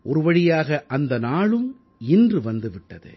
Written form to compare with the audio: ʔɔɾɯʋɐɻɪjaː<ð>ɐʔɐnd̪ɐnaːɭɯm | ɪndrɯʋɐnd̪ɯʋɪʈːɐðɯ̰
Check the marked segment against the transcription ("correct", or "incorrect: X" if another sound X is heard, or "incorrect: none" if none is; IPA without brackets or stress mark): incorrect: ɣ